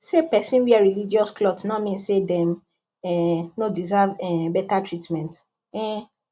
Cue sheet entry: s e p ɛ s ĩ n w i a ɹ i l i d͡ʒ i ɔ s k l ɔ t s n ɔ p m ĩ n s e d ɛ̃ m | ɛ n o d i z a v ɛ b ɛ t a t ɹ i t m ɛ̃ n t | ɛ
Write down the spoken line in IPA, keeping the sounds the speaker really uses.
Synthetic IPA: s e p ɛ s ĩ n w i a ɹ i l i d͡ʒ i ɔ s k l ɔ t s n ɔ m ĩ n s e d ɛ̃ m | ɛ n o d i z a v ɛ b ɛ t a t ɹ i t m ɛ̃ n t | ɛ